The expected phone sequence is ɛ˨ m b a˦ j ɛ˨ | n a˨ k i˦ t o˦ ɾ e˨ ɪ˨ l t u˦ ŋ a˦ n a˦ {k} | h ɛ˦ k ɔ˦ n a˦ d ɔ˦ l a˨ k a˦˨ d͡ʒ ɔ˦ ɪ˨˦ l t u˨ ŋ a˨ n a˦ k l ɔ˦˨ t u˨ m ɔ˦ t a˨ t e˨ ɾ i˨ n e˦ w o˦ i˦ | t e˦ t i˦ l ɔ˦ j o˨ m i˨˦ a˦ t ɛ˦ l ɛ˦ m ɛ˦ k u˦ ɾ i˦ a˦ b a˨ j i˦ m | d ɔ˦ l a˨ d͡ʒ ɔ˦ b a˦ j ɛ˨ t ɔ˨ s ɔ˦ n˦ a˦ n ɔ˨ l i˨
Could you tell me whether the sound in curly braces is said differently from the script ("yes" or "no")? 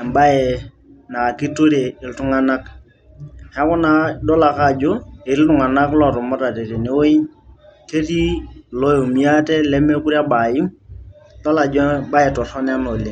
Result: no